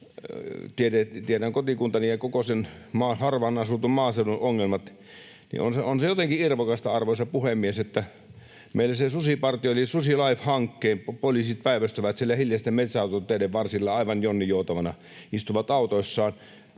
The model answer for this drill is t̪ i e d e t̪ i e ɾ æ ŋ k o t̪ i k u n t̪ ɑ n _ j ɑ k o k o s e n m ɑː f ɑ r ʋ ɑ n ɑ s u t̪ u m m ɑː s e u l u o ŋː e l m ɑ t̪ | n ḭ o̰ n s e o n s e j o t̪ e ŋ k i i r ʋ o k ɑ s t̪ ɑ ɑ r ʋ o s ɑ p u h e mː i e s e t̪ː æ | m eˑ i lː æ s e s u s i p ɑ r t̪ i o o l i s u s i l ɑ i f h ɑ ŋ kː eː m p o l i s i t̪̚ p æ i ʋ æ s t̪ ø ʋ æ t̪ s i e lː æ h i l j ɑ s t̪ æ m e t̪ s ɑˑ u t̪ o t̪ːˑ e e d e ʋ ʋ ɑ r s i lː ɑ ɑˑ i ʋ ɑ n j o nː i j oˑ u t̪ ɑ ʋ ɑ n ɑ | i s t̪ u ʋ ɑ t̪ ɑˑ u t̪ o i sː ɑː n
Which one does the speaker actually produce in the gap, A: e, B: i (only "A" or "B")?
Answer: B